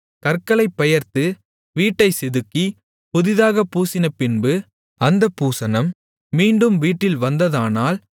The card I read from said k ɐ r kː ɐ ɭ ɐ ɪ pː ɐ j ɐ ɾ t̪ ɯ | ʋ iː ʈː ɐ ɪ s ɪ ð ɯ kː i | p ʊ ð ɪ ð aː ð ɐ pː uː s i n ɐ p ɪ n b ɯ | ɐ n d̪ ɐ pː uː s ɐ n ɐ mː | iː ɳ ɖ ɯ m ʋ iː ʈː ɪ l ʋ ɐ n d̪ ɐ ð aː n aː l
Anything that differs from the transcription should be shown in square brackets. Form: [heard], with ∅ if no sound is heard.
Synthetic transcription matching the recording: k ɐ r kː ɐ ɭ ɐ ɪ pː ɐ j ɐ ɾ t̪ ɯ | ʋ iː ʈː ɐ ɪ s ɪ ð ɯ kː i | p ʊ ð ɪ ð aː [ɣ] ɐ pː uː s [ɪ] n ɐ p ɪ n b ɯ | ɐ n d̪ ɐ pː uː s ɐ n ɐ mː | iː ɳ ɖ ɯ m ʋ iː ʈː ɪ l ʋ ɐ n d̪ ɐ ð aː n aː l